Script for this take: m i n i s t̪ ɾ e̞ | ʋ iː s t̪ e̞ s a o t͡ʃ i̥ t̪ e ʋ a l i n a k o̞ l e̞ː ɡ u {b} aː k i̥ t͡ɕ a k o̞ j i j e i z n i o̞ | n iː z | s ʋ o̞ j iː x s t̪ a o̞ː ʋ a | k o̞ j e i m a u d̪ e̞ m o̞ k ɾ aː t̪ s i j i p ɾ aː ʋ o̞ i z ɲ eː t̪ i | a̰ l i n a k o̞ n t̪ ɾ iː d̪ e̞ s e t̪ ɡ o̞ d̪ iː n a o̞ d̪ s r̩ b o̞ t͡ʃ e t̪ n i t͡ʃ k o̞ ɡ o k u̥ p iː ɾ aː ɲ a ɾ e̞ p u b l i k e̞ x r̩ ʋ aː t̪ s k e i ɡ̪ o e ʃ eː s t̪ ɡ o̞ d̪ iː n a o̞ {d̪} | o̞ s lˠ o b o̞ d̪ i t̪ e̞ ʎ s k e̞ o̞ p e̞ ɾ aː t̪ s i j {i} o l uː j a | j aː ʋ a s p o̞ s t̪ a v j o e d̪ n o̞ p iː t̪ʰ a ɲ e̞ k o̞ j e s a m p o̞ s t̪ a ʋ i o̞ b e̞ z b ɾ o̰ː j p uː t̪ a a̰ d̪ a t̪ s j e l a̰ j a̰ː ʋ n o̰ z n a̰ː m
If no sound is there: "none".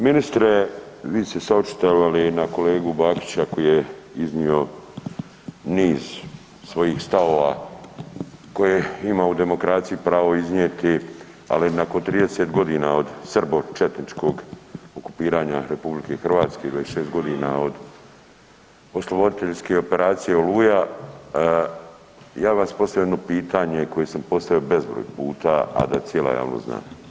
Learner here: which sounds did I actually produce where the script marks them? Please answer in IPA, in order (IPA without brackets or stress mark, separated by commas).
b, d̪, e